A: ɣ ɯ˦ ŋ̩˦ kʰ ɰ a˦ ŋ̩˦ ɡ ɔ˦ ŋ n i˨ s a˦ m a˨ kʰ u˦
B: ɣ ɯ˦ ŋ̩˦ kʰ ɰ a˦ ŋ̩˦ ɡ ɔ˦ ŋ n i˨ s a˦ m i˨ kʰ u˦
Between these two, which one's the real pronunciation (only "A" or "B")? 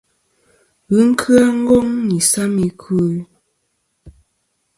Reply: B